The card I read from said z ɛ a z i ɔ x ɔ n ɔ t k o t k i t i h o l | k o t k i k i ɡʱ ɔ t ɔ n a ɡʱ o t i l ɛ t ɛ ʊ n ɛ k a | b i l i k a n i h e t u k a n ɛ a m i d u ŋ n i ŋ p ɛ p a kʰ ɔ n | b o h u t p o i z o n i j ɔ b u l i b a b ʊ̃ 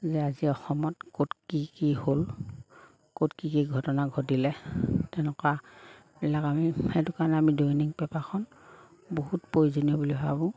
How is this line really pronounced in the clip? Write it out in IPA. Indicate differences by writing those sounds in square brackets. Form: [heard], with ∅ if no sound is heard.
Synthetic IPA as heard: z ɛ a z i ɔ x ɔ [m] ɔ t k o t k i [k] i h o l | k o t k i k i ɡʱ ɔ t ɔ n a ɡʱ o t i l ɛ t ɛ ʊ n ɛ k a | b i l [a] k a [m] i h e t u k a n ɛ a m i d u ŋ n i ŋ p ɛ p a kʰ ɔ n | b o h u t p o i z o n i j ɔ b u l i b a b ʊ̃